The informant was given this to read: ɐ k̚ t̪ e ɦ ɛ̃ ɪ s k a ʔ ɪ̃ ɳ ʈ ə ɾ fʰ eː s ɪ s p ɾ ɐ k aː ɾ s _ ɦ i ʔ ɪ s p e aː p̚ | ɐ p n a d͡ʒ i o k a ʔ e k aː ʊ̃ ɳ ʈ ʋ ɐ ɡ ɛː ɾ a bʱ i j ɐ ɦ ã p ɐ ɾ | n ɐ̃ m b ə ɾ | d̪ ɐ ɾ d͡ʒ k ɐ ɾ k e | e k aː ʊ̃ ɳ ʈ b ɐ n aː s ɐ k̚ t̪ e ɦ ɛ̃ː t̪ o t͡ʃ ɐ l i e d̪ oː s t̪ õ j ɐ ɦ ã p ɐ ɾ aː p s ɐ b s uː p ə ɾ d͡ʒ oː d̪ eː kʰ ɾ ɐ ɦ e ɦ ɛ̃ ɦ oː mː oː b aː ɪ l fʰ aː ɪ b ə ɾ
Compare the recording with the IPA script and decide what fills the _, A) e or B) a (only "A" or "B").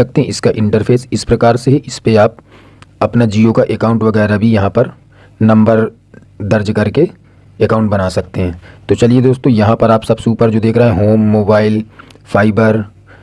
A